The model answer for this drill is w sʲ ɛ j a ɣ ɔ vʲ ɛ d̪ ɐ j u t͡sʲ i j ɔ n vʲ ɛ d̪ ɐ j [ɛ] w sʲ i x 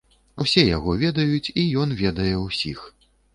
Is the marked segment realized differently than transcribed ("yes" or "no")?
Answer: no